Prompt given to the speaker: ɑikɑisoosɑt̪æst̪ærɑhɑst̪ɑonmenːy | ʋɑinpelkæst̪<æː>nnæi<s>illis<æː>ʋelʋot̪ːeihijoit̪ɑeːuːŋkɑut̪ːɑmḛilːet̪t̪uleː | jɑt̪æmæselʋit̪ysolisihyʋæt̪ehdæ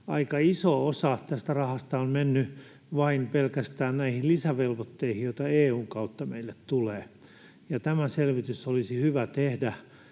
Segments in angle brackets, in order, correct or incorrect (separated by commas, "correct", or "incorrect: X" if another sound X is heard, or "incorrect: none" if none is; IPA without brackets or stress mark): correct, incorrect: h, incorrect: æ